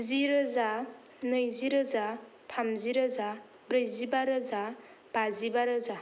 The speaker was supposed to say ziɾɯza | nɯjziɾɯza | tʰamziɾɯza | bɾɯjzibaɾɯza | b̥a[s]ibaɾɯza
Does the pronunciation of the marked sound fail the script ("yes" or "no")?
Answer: yes